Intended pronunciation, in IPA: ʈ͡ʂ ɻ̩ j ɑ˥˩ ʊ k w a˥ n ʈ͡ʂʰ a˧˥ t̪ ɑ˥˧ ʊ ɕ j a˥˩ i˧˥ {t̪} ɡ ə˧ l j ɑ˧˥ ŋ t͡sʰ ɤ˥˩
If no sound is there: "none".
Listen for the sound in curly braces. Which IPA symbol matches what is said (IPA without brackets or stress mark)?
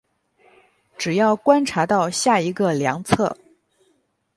none